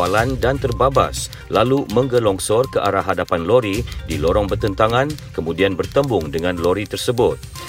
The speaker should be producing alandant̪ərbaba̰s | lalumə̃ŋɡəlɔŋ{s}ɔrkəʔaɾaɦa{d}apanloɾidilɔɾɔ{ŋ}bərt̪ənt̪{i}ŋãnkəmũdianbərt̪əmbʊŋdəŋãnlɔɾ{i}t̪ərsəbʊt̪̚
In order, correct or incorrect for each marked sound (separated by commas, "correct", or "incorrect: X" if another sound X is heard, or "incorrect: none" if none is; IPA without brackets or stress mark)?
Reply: correct, correct, correct, incorrect: a, correct